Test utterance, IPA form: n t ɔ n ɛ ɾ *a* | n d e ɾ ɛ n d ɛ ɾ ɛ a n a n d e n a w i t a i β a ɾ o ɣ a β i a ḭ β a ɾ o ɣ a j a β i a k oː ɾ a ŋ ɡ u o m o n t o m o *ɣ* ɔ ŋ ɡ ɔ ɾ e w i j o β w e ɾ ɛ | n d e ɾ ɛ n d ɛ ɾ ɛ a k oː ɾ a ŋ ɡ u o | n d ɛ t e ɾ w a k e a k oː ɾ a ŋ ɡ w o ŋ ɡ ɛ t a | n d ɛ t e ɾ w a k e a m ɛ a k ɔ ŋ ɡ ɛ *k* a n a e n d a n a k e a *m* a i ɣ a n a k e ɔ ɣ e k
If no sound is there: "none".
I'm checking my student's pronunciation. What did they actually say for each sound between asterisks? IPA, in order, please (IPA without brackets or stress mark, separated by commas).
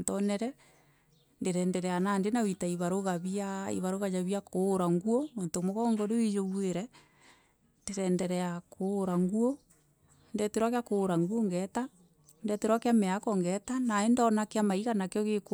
ɛ, ɣ, t, m